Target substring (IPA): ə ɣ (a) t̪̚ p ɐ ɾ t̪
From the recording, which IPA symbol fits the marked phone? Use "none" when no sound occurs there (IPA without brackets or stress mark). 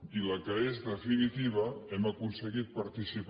i